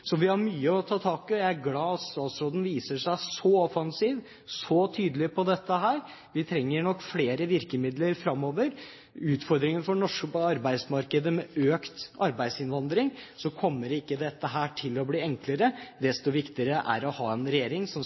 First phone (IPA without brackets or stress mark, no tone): s